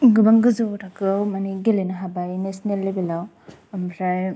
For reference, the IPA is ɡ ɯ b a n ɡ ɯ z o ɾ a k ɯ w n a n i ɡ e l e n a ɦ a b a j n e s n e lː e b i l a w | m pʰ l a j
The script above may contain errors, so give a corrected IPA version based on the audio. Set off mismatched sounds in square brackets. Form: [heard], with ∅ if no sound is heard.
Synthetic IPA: ɡ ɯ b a [ŋ] ɡ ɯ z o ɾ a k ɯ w [m] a n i ɡ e l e n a ɦ a b a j n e s n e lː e b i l a w | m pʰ [ɾ] a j